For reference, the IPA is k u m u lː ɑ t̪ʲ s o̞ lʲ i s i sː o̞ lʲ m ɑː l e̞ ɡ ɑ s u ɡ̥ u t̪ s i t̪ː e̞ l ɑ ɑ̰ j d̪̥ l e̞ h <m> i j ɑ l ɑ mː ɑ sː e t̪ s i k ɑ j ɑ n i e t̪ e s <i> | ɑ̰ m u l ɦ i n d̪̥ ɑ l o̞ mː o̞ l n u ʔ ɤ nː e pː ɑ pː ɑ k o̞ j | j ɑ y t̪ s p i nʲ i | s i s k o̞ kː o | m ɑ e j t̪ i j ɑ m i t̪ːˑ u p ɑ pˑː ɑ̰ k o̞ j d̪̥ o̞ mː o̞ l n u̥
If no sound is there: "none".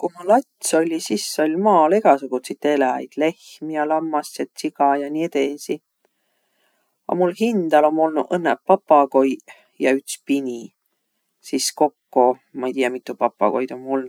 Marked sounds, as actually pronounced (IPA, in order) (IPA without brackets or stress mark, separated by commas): m, i